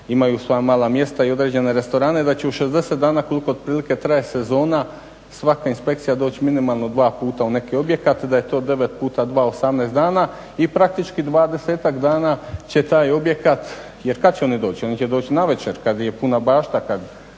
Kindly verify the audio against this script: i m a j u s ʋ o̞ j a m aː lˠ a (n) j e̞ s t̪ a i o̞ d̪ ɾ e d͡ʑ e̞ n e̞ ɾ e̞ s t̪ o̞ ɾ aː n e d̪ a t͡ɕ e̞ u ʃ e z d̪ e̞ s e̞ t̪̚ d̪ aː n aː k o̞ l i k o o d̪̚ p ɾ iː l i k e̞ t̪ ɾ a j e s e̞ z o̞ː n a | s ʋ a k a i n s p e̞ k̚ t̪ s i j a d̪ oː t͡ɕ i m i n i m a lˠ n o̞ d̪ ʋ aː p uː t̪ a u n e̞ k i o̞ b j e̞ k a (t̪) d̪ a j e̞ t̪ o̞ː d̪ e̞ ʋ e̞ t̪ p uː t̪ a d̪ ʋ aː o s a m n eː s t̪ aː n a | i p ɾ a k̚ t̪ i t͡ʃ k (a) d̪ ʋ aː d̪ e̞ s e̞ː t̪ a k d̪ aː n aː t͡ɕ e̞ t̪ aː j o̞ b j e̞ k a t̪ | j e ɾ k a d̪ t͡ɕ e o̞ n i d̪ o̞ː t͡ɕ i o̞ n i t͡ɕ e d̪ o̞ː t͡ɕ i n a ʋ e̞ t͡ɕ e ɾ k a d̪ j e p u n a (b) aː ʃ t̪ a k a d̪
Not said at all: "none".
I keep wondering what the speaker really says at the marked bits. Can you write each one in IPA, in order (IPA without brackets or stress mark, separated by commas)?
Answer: m, t̪, i, b